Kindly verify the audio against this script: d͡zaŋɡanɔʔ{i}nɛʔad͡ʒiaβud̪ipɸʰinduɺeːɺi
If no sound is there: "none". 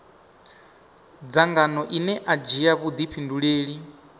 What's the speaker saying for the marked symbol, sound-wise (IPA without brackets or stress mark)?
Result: i